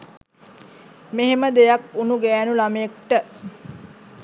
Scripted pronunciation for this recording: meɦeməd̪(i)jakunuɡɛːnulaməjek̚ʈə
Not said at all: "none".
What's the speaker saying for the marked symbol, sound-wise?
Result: e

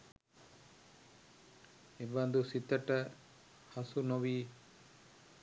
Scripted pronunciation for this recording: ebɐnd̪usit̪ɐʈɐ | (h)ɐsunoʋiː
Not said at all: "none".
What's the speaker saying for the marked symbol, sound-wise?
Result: h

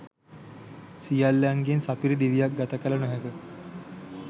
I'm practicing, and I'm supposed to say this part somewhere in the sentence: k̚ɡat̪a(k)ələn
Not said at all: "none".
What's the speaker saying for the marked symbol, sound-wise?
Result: k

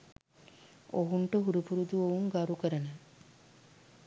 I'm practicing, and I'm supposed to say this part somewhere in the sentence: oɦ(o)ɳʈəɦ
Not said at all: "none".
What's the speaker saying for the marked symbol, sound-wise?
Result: u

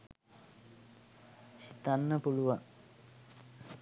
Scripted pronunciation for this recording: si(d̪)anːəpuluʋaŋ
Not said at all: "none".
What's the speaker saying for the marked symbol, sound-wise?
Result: t̪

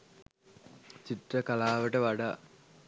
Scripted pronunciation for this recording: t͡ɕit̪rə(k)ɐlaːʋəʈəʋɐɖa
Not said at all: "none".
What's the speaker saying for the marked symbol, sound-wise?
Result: k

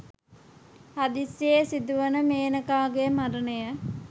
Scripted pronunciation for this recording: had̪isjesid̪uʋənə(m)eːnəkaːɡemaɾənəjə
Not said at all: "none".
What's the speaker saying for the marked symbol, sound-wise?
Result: m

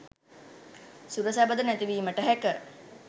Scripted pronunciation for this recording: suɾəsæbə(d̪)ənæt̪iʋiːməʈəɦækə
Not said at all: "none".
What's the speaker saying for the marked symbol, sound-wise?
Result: d̪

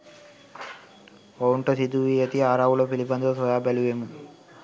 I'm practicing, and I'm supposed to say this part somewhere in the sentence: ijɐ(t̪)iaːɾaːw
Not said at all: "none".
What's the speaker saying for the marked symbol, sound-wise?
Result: t̪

